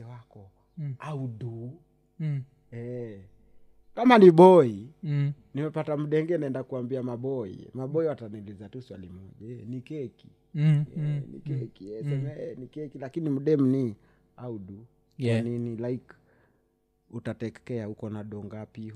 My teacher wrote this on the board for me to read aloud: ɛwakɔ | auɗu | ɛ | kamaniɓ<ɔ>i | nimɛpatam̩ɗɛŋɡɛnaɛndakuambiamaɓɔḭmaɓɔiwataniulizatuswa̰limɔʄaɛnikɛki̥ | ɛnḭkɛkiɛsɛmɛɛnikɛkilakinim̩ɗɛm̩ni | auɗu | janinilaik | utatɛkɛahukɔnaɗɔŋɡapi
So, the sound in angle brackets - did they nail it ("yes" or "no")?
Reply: yes